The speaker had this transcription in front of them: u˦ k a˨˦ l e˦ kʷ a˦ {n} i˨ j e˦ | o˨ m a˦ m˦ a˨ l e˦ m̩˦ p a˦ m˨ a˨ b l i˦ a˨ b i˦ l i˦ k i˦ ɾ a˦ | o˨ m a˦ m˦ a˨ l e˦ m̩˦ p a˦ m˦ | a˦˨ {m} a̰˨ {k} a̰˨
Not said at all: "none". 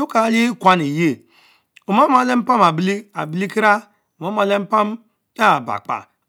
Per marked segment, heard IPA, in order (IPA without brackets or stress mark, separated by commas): n, b, k͡p